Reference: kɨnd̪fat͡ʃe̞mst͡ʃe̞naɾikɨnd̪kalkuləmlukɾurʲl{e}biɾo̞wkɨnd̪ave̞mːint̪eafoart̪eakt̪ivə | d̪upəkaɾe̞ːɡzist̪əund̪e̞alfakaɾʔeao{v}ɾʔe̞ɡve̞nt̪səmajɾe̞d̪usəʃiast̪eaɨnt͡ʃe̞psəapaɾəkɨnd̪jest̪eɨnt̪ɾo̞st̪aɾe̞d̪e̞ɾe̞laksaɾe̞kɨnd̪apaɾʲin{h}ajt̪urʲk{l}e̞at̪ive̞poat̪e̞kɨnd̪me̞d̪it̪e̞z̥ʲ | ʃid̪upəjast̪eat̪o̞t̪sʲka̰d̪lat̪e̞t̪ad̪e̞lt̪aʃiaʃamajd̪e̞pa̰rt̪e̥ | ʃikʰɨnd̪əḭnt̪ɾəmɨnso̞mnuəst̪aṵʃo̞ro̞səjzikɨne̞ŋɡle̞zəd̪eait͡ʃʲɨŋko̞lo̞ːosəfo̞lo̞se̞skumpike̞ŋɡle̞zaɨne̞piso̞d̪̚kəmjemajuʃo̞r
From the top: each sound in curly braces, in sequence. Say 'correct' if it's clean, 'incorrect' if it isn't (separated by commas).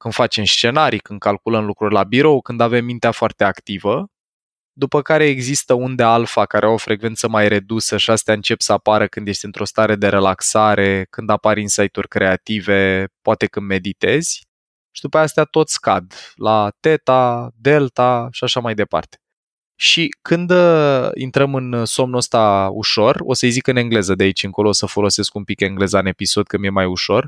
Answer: incorrect, incorrect, incorrect, incorrect